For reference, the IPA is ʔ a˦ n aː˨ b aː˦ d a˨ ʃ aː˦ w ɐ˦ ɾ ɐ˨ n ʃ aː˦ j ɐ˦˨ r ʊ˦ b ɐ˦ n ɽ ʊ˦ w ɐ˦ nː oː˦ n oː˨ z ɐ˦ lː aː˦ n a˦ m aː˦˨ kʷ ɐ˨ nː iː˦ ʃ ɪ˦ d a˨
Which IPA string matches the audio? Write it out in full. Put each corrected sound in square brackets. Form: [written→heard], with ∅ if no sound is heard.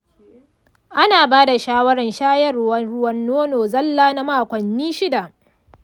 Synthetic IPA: ʔ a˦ n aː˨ b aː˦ d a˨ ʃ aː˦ w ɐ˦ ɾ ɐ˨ n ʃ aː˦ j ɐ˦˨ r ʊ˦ [b→w] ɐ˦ n ɽ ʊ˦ w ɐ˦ nː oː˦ n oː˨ z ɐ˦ lː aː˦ n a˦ m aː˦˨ kʷ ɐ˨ nː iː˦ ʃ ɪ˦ d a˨